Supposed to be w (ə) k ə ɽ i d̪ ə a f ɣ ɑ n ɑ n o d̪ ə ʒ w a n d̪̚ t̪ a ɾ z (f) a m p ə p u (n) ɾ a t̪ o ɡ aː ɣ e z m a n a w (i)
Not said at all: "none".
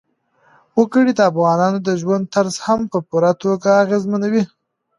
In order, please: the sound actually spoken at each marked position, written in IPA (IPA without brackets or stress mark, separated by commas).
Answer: ə, h, none, i